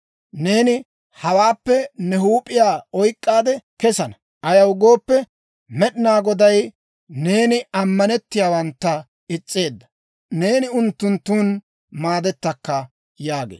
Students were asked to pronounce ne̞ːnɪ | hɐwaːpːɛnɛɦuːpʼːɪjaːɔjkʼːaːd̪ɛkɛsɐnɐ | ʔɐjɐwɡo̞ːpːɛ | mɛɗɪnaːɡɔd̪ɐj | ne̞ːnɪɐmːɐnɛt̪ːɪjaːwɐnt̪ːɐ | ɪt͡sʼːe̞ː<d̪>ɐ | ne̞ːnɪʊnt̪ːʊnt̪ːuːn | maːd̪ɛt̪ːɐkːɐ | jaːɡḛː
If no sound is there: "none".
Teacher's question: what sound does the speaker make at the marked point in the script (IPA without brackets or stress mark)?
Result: d̪ː